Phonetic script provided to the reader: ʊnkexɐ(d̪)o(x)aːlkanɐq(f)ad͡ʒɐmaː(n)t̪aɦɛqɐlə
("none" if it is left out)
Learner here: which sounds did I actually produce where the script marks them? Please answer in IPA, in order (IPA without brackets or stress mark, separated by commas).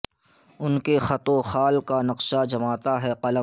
t̪, x, ʃ, none